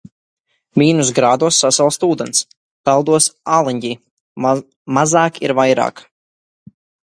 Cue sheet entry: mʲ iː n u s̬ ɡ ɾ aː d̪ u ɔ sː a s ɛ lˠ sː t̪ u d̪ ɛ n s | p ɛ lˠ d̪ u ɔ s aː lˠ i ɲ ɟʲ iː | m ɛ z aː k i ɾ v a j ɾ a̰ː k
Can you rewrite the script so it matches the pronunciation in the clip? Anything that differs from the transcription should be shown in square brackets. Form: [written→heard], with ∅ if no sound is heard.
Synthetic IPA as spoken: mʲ iː n u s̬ ɡ ɾ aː d̪ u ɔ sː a s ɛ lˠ [sː→s] t̪ [u→uː] d̪ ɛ n s | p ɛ lˠ d̪ u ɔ s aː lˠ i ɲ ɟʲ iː | m [ɛ→a] z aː k i ɾ v a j ɾ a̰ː k

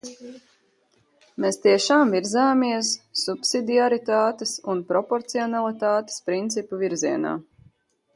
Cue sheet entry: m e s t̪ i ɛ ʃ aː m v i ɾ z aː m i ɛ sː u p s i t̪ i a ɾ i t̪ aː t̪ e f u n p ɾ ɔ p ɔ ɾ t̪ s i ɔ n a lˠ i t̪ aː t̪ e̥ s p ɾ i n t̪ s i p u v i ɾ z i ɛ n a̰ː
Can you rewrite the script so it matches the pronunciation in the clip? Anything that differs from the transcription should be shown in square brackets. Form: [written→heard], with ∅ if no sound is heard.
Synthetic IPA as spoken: m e s t̪ i ɛ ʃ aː m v i ɾ z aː m i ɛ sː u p s i [t̪→d̪] i a ɾ i t̪ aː t̪ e [f→s] u n p ɾ ɔ p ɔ ɾ t̪ s i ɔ n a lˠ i t̪ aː t̪ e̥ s p ɾ i n t̪ s i p u v i ɾ z i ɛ n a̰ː

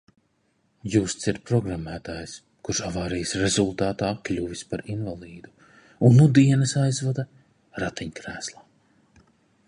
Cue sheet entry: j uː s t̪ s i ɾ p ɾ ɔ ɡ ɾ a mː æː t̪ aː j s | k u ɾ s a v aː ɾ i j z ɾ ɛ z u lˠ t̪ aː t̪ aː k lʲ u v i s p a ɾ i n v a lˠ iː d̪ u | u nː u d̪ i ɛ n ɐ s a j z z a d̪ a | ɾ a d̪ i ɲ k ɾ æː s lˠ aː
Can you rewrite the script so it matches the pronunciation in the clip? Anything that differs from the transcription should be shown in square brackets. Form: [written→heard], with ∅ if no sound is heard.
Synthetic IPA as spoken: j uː s t̪ s i ɾ p ɾ ɔ ɡ ɾ a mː æː t̪ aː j s | k u ɾ [s→ʃ] a v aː ɾ i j [z→s] ɾ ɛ z u lˠ t̪ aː t̪ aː k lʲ u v i s p a ɾ i n v a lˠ iː d̪ u | u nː u d̪ i ɛ n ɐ s a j z [z→v] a d̪ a | ɾ a [d̪→t̪] i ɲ k ɾ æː s lˠ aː

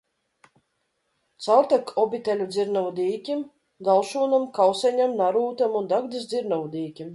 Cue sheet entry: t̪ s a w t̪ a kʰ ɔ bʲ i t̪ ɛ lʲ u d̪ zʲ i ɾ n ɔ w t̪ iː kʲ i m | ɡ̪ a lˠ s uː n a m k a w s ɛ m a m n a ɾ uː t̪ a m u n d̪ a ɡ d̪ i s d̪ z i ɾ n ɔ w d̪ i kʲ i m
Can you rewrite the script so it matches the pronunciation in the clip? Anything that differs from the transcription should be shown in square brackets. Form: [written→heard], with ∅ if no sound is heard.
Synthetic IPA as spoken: t̪ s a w t̪ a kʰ ɔ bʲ i t̪ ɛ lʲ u d̪ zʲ i ɾ n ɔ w [t̪→d̪] iː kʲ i m | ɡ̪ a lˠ [s→ʃ] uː n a m k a w s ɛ [m→ɲ] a m n a ɾ uː t̪ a m u n d̪ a ɡ d̪ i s d̪ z i ɾ n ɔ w d̪ [i→iː] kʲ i m

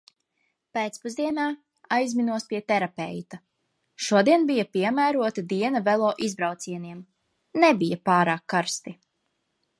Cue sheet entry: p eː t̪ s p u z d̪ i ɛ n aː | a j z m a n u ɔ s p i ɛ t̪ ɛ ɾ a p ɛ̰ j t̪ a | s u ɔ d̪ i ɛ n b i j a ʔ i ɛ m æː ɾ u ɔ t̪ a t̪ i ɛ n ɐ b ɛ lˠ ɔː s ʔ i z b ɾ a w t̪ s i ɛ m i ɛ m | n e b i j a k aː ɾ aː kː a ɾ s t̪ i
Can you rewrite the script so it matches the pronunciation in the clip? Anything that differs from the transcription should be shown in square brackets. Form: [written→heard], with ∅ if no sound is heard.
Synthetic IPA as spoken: p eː t̪ s p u z d̪ i ɛ n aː | a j z m [a→i] n u ɔ s p i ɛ t̪ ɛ ɾ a p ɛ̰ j t̪ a | [s→ʃ] u ɔ d̪ i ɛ n b i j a [ʔ→p] i ɛ m æː ɾ u ɔ t̪ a [t̪→d̪] i ɛ n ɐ [b→v] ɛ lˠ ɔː [s→∅] ʔ i z b ɾ a w t̪ s i ɛ [m→n] i ɛ m | n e b i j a [k→p] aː ɾ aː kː a ɾ s t̪ i

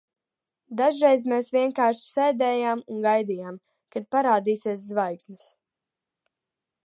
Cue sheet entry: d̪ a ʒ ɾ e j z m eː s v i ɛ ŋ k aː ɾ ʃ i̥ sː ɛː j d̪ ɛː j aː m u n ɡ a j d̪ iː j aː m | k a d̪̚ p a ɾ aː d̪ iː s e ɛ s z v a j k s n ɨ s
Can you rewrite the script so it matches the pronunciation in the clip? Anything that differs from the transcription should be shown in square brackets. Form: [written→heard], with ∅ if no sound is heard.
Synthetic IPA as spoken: d̪ a ʒ ɾ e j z m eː s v i ɛ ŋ k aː ɾ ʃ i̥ [sː→s] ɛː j d̪ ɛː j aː m u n ɡ a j d̪ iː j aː m | k a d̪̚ p a ɾ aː d̪ iː s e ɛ s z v a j k s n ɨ s

